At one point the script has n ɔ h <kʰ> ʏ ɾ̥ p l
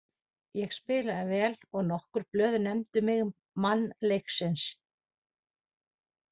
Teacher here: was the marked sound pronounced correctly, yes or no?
no